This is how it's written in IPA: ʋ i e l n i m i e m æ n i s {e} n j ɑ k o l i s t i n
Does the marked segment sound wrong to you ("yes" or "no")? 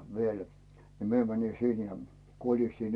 yes